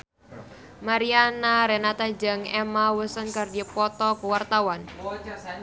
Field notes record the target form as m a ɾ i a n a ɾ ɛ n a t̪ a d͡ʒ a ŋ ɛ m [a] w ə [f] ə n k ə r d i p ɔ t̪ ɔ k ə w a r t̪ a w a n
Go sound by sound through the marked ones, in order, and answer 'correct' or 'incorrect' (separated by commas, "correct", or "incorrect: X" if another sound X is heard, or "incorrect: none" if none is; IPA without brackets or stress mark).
correct, incorrect: s